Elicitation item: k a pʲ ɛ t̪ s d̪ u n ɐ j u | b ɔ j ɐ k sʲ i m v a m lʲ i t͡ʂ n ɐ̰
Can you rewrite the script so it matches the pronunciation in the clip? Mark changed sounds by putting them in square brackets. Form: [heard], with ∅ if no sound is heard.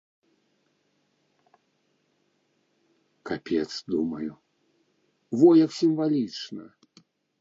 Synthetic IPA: k a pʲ ɛ t̪ s d̪ u [m] ɐ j u | [v] ɔ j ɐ k sʲ i m v a [∅] lʲ i t͡ʂ n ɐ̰